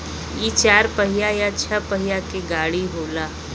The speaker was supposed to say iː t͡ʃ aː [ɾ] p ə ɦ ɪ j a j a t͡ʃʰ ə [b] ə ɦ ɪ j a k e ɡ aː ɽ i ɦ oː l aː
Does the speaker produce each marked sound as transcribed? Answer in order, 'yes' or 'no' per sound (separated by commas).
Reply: yes, no